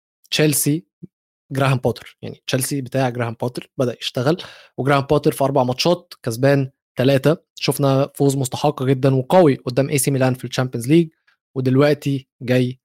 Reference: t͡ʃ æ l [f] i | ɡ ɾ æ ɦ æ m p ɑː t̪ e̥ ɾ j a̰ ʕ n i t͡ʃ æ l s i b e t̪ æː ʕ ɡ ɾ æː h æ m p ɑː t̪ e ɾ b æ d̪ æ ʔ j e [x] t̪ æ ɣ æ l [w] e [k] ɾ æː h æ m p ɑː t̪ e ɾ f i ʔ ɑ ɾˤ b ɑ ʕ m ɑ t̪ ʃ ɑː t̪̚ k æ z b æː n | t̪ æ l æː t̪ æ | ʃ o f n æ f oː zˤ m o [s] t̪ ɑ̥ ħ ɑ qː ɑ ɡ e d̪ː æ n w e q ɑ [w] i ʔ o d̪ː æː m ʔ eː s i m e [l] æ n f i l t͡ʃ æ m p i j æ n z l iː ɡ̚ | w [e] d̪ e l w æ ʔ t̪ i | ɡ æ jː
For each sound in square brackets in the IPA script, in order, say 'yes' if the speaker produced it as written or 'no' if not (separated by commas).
no, no, yes, no, yes, yes, yes, yes